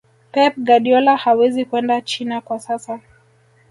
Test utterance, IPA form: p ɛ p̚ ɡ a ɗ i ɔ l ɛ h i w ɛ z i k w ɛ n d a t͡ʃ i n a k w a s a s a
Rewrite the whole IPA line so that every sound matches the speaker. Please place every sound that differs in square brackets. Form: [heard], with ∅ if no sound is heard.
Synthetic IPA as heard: p ɛ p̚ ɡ a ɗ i ɔ l [a] h [a] w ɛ z i k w ɛ n d a t͡ʃ i n a k w a s a s a